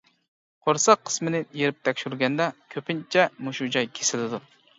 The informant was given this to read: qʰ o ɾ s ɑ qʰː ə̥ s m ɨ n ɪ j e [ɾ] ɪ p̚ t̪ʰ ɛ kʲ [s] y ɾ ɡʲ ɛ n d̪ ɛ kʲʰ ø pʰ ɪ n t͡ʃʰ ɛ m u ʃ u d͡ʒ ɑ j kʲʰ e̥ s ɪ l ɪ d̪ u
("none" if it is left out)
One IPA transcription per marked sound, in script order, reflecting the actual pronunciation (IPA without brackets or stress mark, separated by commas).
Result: ɾ, ʃ